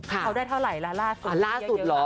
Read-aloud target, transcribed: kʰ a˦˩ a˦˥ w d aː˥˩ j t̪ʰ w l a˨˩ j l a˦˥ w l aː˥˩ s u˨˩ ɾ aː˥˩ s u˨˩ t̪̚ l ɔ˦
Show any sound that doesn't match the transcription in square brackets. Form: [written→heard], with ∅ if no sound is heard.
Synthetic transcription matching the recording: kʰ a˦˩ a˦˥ w d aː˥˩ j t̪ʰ w [l→ɾ] a˨˩ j l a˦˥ [w→∅] l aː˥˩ s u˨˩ [ɾ→l] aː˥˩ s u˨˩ t̪̚ l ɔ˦